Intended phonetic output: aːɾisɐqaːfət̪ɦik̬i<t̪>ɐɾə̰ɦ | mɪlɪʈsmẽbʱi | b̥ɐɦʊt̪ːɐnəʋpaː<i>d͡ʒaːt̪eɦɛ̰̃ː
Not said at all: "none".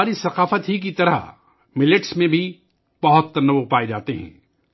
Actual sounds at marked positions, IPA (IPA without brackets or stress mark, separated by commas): t̪, e